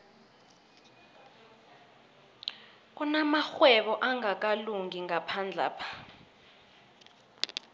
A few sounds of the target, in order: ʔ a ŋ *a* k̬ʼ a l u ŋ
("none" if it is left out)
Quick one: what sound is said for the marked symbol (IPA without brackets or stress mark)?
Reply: a